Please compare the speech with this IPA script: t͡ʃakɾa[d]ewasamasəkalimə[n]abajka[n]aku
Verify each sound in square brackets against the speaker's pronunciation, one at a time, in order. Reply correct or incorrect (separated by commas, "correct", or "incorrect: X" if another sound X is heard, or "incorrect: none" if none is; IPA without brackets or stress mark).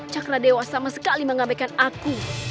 correct, incorrect: ŋ, correct